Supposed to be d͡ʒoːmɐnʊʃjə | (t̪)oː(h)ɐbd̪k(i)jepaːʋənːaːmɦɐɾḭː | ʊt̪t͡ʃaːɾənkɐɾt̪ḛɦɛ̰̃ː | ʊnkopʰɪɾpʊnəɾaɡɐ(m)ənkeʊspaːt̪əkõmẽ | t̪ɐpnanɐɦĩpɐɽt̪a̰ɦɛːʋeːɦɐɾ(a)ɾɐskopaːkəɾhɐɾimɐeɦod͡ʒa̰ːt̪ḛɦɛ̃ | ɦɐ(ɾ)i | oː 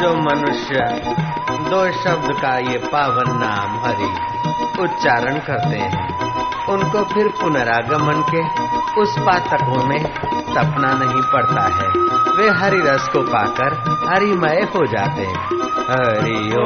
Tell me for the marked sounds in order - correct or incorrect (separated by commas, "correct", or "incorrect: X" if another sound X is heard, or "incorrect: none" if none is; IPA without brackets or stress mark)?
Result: incorrect: d̪, incorrect: ʃ, incorrect: a, correct, incorrect: i, correct